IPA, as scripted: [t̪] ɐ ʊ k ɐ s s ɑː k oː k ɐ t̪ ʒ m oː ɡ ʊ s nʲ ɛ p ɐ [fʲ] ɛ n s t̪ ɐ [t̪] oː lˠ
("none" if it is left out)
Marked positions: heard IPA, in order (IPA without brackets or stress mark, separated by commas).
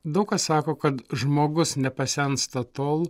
d̪, sʲ, t̪